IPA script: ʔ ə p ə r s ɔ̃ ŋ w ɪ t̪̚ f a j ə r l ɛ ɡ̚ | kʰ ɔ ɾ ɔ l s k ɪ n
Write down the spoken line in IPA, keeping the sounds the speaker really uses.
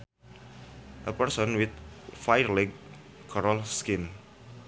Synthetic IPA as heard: ʔ ə p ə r s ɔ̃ n w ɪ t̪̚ f a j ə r l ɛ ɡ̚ | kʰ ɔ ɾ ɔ l s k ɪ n